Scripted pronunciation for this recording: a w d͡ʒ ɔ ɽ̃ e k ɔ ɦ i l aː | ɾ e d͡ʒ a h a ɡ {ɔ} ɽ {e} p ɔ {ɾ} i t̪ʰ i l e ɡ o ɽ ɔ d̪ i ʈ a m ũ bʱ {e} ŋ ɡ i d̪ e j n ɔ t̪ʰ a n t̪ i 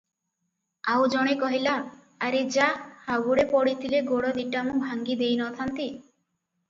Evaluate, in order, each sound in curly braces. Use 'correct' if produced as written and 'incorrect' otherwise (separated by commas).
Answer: incorrect, correct, incorrect, incorrect